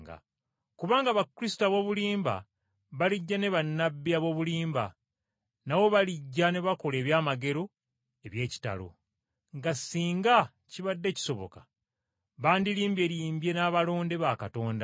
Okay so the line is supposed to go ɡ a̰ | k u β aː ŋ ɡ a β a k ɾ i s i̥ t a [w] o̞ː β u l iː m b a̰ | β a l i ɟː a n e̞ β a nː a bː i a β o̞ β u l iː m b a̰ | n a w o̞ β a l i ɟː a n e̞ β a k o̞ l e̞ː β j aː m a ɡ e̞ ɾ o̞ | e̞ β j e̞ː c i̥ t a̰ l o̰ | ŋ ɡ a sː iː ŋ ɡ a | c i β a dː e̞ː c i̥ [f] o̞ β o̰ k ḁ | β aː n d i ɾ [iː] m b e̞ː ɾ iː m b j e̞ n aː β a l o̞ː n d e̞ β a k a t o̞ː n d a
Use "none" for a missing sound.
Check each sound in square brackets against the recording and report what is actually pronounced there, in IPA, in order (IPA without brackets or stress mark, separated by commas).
β, s, iː